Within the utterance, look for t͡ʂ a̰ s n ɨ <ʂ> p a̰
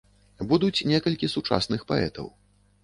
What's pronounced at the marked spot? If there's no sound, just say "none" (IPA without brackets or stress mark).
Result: x